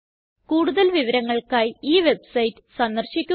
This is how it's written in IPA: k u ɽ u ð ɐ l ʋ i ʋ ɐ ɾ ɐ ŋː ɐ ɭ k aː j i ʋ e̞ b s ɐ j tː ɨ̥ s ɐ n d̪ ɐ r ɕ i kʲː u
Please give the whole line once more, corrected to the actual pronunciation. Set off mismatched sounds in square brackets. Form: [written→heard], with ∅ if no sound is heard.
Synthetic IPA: k [u→uː] ɽ u ð ɐ l ʋ i ʋ ɐ ɾ ɐ ŋː ɐ ɭ k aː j [i→iː] ʋ e̞ b s ɐ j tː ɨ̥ s ɐ n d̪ ɐ r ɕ i kʲː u

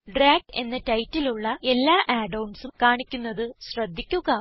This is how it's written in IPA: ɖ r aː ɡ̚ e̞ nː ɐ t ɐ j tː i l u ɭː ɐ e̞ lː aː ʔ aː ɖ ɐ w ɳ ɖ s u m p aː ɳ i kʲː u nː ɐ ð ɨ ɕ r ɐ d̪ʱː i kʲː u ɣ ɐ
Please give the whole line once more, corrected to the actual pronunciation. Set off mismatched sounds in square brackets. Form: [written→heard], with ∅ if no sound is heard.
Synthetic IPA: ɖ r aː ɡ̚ e̞ nː ɐ t ɐ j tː i l u ɭː ɐ e̞ lː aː ʔ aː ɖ ɐ w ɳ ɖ s u m [p→k] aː ɳ i kʲː u nː ɐ ð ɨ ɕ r ɐ d̪ʱː i kʲː u ɣ ɐ

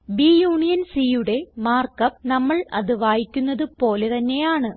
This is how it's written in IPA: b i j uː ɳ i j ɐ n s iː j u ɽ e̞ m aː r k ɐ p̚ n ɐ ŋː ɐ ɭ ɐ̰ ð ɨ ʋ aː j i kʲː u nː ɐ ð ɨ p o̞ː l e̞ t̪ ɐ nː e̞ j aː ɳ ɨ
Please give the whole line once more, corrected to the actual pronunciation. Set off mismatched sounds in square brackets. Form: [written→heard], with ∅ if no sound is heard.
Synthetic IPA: b i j uː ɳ i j ɐ n s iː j u ɽ e̞ m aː r k ɐ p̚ n ɐ [ŋː→mː] ɐ ɭ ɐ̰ ð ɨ ʋ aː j i kʲː u nː ɐ ð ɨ p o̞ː l e̞ t̪ ɐ nː e̞ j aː ɳ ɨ

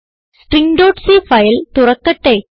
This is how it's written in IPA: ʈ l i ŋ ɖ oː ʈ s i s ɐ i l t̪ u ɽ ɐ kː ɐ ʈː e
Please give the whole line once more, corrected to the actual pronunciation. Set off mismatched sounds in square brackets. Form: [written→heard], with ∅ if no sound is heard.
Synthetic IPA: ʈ [l→r] i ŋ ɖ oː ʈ s i [s→f] ɐ [i→j] l t̪ u [ɽ→r] ɐ kː ɐ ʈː e

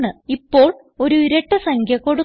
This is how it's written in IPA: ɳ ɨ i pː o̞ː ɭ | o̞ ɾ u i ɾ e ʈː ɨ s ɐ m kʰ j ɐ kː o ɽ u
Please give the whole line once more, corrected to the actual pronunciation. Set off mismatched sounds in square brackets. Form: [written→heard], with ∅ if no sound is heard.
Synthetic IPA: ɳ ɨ i pː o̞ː ɭ | o̞ ɾ u i ɾ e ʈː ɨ s ɐ [m→ŋ] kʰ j ɐ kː o ɽ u

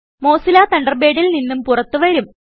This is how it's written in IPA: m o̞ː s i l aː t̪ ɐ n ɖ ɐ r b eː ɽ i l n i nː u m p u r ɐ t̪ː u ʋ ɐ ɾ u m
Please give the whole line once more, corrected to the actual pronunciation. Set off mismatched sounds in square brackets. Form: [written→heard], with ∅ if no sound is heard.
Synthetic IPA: m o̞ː s i l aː t̪ ɐ [n→ɳ] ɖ ɐ r b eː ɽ i l n i nː u m p u r ɐ t̪ː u ʋ ɐ ɾ u m

